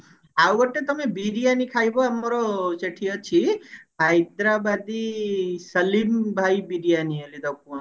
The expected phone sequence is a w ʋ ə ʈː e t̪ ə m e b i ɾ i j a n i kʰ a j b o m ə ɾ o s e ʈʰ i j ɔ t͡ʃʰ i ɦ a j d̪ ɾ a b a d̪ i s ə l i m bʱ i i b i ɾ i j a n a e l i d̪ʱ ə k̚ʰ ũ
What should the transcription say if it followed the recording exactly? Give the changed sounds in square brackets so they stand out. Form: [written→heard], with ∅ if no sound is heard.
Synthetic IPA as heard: a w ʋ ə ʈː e t̪ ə m e b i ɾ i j a n i kʰ a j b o m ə ɾ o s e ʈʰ i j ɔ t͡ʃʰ i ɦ a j d̪ ɾ a b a d̪ i s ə l i m bʱ [i→a] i b i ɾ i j a n [a→i] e l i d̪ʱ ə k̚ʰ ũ